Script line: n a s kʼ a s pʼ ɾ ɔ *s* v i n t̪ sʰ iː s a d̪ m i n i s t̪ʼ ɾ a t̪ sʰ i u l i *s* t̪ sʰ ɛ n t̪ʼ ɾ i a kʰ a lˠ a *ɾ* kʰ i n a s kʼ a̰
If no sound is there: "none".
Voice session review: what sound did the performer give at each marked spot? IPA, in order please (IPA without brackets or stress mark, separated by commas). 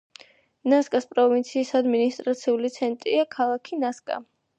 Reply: none, none, none